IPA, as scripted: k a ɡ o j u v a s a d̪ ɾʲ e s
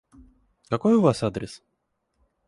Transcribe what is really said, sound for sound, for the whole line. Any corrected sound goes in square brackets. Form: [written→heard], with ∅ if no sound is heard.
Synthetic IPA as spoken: k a [ɡ→k] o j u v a s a d̪ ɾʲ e s